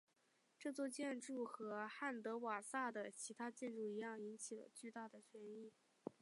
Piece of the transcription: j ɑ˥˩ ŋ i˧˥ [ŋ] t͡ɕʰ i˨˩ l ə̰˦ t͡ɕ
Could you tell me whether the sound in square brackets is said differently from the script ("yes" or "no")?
yes